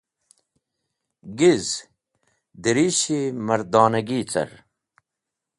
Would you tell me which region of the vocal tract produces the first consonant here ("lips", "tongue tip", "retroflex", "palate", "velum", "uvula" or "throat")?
velum